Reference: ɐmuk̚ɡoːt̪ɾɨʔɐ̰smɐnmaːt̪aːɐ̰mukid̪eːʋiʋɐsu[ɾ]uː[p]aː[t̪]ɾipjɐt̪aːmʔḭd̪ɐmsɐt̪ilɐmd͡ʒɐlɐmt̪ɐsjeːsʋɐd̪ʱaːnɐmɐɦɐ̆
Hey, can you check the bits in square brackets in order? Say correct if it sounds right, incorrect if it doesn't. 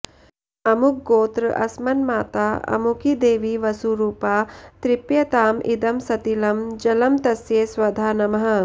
correct, correct, correct

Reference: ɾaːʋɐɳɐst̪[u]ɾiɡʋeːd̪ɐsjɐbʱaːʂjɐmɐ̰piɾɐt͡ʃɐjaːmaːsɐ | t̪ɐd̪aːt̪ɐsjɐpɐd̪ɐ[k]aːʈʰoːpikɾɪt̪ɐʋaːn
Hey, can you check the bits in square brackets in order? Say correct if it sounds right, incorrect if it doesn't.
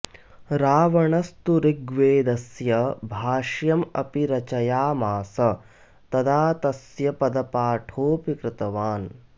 correct, incorrect: p

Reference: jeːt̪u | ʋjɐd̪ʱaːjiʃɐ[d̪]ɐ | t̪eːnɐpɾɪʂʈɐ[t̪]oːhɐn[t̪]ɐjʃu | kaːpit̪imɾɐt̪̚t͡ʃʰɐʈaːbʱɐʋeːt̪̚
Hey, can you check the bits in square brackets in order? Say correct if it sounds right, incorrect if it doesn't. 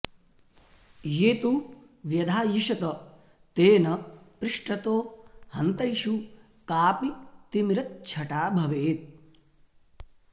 incorrect: t̪, correct, correct

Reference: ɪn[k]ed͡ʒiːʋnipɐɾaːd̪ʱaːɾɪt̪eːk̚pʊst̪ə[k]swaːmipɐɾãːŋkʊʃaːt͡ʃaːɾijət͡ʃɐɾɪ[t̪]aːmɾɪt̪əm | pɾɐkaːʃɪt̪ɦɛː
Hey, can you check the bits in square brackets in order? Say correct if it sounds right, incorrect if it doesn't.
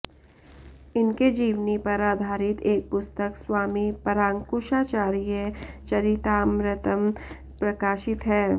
correct, correct, correct

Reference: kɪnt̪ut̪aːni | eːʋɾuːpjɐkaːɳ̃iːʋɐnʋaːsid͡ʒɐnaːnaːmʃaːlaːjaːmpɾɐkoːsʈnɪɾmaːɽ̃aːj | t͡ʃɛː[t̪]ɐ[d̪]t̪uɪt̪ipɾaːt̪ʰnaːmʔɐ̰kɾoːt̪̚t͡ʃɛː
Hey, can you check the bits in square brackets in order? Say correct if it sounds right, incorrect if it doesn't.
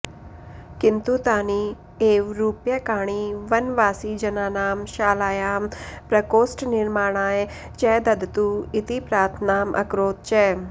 incorrect: d̪, correct

